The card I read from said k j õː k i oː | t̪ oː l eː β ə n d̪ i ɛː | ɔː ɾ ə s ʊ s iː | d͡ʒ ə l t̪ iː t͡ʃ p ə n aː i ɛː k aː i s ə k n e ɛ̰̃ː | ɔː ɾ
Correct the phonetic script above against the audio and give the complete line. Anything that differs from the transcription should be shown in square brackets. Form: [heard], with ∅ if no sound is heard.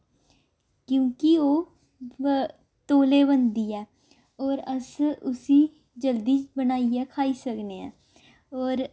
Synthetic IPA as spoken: k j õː k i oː | t̪ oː l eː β ə n d̪ i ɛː | ɔː ɾ ə s ʊ s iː | d͡ʒ ə l [d̪] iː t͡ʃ [b] ə n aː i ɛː [kʰ] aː i s ə k n e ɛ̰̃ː | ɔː ɾ